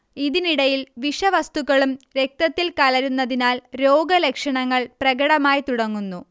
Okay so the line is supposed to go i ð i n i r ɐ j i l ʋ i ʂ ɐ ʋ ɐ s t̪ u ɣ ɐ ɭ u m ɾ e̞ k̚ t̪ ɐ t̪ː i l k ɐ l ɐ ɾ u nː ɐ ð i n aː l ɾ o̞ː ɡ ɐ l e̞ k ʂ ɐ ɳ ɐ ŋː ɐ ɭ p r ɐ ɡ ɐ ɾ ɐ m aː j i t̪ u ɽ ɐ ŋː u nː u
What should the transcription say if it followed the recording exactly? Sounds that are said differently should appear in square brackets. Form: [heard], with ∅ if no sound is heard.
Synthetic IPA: i ð i n i [ɽ] ɐ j i l ʋ i ʂ ɐ ʋ ɐ s t̪ u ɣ ɐ ɭ u m ɾ e̞ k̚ t̪ ɐ t̪ː i l k ɐ l ɐ ɾ u nː ɐ ð i n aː l ɾ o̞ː ɡ ɐ l e̞ k ʂ ɐ ɳ ɐ ŋː ɐ ɭ p r ɐ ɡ ɐ [ɽ] ɐ m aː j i t̪ u ɽ ɐ ŋː u nː u